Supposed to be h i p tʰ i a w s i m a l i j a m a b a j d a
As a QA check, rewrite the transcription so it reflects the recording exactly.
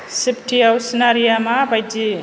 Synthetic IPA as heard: s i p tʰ i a w s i n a ɾ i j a m a b a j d i